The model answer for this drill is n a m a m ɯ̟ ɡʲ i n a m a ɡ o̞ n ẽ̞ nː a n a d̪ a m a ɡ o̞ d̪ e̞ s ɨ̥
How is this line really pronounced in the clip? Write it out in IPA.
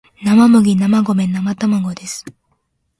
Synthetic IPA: n a m a m ɯ̟ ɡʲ i n a m a ɡ o̞ m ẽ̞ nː a m a t̪ a m a ɡ o̞ d̪ e̞ s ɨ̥

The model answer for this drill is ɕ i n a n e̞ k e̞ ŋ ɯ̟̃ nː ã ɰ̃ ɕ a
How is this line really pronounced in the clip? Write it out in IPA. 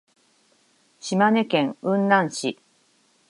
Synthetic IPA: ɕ i m a n e̞ k ẽ̞ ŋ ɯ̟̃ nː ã ɰ̃ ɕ i

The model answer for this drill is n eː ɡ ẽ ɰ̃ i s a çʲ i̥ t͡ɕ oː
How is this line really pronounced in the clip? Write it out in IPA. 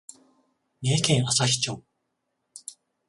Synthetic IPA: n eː k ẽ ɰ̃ a s a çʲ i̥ t͡ɕ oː

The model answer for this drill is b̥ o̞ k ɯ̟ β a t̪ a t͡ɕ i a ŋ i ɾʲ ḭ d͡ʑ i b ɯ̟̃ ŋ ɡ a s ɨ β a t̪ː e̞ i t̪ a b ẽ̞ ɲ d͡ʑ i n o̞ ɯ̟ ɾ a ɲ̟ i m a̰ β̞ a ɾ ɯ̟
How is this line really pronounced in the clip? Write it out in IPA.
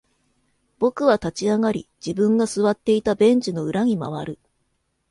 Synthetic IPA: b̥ o̞ k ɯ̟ β a t̪ a t͡ɕ i a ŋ a ɾʲ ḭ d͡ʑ i b ɯ̟̃ ŋ ɡ a s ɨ β a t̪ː e̞ i t̪ a b ẽ̞ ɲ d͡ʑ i n o̞ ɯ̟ ɾ a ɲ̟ i m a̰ β̞ a ɾ ɯ̟

